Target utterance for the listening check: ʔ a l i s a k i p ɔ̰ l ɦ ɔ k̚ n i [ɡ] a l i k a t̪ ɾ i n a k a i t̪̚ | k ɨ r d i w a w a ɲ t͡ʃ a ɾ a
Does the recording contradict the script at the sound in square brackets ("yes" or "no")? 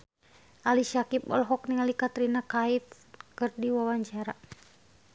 yes